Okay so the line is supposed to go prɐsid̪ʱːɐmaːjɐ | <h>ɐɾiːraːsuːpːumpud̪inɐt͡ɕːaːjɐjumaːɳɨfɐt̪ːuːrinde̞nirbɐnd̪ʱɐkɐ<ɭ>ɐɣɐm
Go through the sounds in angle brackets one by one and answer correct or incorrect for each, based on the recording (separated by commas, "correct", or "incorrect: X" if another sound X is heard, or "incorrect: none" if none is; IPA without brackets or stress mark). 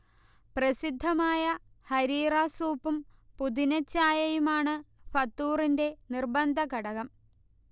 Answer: correct, incorrect: ɽ